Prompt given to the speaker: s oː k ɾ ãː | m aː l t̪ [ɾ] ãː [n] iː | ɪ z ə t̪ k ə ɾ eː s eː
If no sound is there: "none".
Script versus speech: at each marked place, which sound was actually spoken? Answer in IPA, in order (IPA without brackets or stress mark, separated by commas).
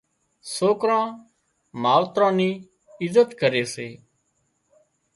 ɾ, n